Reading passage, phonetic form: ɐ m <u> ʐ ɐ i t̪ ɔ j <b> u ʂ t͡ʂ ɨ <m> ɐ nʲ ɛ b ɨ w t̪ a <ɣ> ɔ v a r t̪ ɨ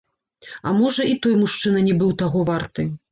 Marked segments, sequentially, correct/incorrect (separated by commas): incorrect, incorrect, incorrect, correct